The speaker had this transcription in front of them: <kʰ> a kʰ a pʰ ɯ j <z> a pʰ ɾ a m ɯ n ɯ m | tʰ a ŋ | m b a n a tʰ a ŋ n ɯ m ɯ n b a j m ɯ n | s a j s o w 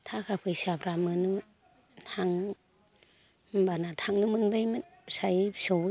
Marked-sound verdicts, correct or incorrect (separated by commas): incorrect, incorrect